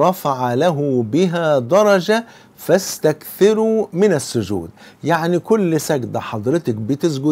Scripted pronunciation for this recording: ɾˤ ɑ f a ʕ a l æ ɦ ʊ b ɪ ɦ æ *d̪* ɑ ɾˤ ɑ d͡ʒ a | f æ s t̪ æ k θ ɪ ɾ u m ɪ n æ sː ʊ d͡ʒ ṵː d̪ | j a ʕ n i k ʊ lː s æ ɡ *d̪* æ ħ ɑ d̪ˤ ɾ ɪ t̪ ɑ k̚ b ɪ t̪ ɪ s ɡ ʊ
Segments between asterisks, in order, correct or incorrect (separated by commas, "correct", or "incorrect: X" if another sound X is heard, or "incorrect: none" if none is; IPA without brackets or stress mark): correct, correct